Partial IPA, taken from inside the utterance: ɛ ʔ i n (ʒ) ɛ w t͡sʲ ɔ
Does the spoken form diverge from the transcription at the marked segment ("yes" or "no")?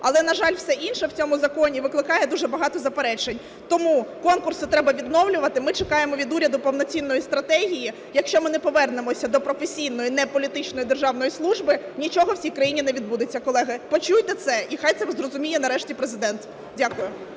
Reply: yes